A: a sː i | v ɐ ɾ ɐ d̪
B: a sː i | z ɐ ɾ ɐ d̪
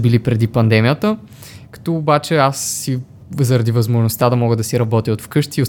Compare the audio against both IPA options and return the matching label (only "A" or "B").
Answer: B